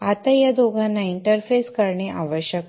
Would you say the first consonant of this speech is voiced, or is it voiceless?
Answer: voiceless